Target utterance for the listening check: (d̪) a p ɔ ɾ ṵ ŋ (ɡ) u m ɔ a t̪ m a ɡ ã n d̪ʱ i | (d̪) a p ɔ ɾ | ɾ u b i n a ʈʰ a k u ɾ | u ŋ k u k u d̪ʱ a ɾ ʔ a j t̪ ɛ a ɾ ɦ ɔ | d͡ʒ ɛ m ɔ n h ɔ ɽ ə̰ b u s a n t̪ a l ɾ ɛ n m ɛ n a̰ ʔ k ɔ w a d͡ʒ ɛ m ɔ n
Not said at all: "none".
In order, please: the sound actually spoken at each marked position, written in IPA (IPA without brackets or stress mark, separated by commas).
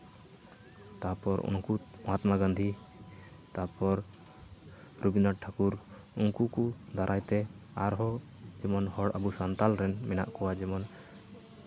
t̪, k, t̪